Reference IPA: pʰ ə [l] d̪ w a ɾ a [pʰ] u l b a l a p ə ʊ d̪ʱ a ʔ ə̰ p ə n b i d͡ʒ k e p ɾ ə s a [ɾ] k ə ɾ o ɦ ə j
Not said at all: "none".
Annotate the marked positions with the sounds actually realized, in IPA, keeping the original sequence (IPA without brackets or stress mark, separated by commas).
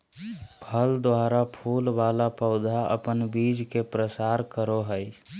l, pʰ, ɾ